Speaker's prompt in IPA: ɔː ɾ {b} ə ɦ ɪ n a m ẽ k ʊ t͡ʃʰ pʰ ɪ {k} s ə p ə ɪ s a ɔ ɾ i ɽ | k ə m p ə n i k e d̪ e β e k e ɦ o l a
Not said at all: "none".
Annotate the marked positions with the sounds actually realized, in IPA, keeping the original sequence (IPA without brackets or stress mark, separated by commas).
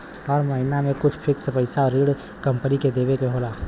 m, k